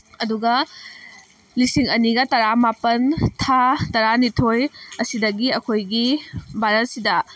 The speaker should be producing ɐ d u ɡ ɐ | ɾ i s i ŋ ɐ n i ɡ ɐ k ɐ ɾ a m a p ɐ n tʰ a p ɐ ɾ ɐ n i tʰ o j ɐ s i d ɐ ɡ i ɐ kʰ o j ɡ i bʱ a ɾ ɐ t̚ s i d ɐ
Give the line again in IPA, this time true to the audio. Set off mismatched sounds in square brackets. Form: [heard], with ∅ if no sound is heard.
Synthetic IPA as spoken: ɐ d u ɡ ɐ | [l] i s i ŋ ɐ n i ɡ ɐ [t] ɐ ɾ a m a p ɐ n tʰ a [t] ɐ ɾ [a] n i tʰ o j ɐ s i d ɐ ɡ i ɐ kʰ o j ɡ i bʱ a ɾ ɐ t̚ s i d ɐ

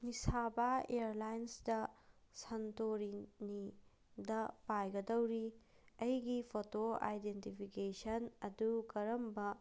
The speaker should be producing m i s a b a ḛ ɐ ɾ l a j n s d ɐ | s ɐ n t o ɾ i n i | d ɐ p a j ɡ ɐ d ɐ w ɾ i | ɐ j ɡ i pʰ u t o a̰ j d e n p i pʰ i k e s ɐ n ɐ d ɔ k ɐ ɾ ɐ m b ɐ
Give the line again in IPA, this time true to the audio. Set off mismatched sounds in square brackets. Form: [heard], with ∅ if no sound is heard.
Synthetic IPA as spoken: m i s a b a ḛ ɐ ɾ l a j n s d ɐ | s ɐ n t o ɾ i n i | d ɐ p a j ɡ ɐ d ɐ w ɾ i | ɐ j ɡ i pʰ [o] t o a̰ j d e n [t] i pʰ i k e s ɐ n ɐ d [u] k ɐ ɾ ɐ m b ɐ

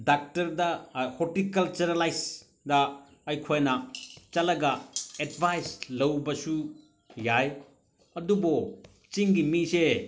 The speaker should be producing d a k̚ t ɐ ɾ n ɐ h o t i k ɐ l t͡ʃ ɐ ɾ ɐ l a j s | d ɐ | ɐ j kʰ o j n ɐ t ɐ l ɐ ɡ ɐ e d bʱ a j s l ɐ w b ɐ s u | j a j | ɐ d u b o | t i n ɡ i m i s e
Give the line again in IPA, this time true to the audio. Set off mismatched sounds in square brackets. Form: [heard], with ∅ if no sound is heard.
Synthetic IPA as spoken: d a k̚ t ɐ ɾ [d] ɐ h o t i k ɐ l t͡ʃ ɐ ɾ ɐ l a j s | d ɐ | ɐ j kʰ o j n ɐ [t͡ʃ] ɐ l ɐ ɡ ɐ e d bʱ a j s l ɐ w b ɐ s u | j a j | ɐ d u b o | [t͡ʃ] i [ŋ] ɡ i m i s e

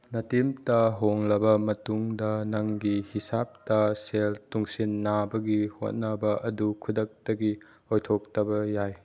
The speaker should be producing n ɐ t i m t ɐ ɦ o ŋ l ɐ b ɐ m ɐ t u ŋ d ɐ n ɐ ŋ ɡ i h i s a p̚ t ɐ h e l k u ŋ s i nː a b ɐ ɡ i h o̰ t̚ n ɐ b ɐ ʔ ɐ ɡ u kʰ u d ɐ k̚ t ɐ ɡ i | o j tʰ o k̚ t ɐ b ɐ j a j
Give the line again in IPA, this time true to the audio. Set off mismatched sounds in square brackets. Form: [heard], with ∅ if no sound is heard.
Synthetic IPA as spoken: n ɐ t i m t ɐ ɦ o ŋ l ɐ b ɐ m ɐ t u ŋ d ɐ n ɐ ŋ ɡ i h i s a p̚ t ɐ [s] e l [t] u ŋ s i nː a b ɐ ɡ i h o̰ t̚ n ɐ b ɐ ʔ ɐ [d] u kʰ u d ɐ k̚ t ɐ ɡ i | o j tʰ o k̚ t ɐ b ɐ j a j

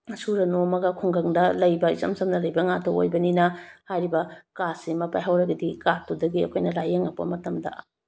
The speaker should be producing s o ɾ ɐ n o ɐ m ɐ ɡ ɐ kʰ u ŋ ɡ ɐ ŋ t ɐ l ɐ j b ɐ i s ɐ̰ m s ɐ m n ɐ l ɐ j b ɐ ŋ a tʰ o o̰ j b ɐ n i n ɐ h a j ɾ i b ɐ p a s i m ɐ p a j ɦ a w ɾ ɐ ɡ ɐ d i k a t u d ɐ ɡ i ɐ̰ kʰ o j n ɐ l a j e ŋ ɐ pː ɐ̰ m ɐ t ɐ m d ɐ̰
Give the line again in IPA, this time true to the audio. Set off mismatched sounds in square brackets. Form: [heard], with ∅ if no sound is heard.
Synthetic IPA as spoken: s [u] ɾ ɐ n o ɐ m ɐ ɡ ɐ kʰ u ŋ ɡ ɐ ŋ [d] ɐ l ɐ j b ɐ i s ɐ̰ m s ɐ m n ɐ l ɐ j b ɐ ŋ a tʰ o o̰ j b ɐ n i n ɐ h a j ɾ i b ɐ [k] a s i m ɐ p a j ɦ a w ɾ ɐ ɡ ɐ d i k a t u d ɐ ɡ i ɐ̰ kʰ o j n ɐ l a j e ŋ ɐ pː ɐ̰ m ɐ t ɐ m d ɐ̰

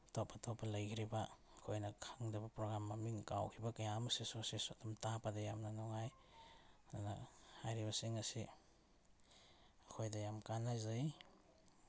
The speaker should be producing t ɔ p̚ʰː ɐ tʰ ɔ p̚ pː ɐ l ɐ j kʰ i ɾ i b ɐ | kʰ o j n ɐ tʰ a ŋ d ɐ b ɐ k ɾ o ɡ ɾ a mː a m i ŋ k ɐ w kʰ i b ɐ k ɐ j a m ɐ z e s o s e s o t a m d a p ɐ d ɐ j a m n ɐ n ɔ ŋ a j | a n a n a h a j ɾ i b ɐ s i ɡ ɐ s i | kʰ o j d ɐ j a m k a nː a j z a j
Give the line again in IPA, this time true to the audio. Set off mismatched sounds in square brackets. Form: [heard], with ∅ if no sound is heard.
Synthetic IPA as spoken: t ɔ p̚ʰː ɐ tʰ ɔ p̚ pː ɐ l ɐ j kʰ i ɾ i b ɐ | kʰ o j n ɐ [kʰ] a ŋ d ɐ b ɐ [p] ɾ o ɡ ɾ a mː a m i ŋ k [a] w kʰ i b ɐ k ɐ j a m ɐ [s] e s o s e s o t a m [t] a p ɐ d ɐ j a m n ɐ n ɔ ŋ a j | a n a n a h a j ɾ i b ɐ s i [ŋ] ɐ s i | kʰ o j d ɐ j a m k a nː a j z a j

